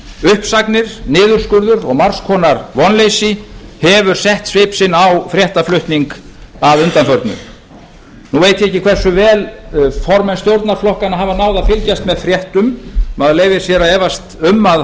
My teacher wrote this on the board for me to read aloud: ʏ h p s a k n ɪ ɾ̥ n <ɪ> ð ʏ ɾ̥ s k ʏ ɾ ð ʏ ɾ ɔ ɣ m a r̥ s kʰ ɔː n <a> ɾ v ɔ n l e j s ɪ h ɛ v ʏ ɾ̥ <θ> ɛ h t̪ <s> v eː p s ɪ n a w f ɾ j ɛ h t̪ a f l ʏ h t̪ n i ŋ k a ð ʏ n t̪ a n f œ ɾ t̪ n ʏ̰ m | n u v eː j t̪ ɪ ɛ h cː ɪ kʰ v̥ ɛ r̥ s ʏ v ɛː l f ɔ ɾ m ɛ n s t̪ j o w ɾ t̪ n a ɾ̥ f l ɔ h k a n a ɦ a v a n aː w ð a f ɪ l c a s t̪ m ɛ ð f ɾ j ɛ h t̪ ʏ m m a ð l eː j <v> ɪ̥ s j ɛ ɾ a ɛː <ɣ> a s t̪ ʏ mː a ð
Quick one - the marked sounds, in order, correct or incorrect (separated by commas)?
incorrect, correct, incorrect, correct, correct, incorrect